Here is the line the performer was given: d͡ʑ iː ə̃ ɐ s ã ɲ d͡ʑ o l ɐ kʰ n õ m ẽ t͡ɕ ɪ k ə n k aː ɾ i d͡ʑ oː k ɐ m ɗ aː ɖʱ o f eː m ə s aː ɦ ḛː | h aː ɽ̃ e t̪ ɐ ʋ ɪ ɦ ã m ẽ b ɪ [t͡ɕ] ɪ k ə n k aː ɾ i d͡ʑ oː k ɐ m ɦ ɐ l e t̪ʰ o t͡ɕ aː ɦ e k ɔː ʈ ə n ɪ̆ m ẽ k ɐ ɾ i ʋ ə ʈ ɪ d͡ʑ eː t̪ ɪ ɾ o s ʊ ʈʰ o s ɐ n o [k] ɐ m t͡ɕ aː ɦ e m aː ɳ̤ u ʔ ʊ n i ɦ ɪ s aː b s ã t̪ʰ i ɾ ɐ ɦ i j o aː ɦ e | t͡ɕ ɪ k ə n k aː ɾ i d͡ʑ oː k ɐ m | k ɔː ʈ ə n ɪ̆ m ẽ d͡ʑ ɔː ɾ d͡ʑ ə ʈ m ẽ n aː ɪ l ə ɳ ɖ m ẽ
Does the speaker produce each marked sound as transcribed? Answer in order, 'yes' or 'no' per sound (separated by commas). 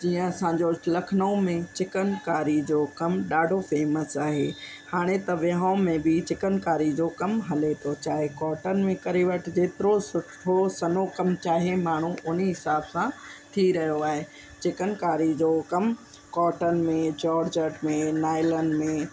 yes, yes